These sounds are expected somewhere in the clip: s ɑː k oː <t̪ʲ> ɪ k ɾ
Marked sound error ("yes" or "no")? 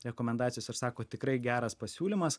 no